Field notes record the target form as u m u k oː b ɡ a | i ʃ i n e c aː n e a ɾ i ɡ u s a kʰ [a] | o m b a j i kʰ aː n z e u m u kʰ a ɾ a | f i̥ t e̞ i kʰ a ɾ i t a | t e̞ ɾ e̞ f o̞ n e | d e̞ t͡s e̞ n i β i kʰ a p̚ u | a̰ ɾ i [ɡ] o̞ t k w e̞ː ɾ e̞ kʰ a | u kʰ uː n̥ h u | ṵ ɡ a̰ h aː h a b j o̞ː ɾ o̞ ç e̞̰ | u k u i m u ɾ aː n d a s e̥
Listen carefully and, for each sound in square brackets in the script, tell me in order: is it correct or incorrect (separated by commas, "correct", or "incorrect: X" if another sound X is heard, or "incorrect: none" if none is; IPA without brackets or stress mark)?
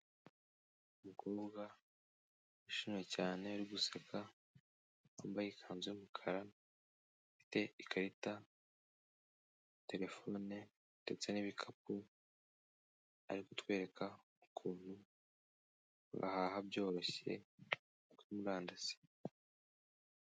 correct, incorrect: k